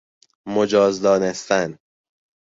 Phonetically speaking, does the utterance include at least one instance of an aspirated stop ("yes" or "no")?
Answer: no